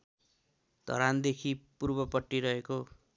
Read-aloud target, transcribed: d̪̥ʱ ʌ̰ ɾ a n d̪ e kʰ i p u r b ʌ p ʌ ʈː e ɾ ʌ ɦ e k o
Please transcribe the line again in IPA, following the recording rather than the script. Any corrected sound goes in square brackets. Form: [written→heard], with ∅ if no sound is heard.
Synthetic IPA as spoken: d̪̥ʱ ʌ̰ ɾ a n d̪ e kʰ i p u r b ʌ p ʌ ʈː [e→i] ɾ ʌ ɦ e k o